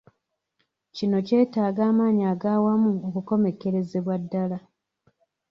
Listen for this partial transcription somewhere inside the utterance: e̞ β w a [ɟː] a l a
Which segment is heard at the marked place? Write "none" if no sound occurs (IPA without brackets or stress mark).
dː